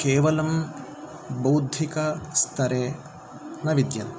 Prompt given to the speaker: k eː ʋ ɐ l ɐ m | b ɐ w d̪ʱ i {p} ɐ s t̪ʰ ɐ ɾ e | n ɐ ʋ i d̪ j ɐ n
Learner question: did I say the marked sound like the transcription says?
no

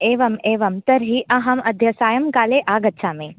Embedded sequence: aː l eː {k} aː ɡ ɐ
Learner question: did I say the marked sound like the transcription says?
no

